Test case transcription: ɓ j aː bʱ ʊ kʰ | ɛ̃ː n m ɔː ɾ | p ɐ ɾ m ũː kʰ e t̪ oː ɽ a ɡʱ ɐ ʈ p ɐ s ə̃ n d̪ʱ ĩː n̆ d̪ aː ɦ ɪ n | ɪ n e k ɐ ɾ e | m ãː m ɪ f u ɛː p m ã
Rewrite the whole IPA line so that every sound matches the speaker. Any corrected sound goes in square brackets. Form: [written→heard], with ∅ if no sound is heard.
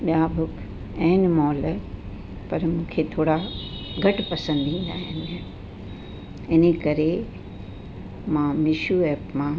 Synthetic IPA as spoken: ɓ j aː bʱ ʊ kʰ | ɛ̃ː n m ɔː [ɾ→l] | p ɐ ɾ m ũː kʰ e [t̪→t̪ʰ] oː ɽ a ɡʱ ɐ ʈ p ɐ s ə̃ n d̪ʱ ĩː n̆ d̪ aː ɦ ɪ n | ɪ n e k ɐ ɾ e | m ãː m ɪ [f→ʃ] u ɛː p m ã